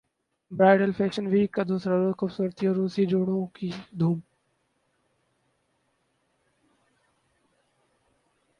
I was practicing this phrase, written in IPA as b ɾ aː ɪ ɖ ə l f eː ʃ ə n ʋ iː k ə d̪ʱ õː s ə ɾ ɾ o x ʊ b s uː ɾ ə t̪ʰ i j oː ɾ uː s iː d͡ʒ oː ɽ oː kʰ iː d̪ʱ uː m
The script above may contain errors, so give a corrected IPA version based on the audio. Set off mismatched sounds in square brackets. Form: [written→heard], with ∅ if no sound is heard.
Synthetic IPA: b ɾ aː ɪ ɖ ə l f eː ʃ ə n ʋ iː k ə d̪ʱ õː s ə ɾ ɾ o x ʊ b s uː ɾ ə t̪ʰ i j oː ɾ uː s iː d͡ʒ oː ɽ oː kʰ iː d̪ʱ uː m